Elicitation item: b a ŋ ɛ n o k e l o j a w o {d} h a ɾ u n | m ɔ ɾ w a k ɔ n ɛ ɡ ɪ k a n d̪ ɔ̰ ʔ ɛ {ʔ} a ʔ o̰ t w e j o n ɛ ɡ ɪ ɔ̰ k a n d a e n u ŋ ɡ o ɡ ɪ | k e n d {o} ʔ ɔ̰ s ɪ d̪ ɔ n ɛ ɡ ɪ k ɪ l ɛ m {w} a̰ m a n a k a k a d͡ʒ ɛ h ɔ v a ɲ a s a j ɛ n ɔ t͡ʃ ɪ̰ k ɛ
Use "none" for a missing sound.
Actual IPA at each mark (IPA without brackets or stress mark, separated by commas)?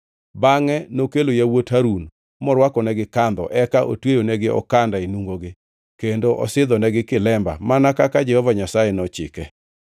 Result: t, k, o, b